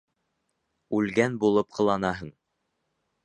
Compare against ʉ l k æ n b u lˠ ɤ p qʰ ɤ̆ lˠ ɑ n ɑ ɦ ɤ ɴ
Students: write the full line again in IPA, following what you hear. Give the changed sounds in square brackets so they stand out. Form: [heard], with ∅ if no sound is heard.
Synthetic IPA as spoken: ʉ l [ɡ] æ n b u lˠ ɤ p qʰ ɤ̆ lˠ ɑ n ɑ ɦ ɤ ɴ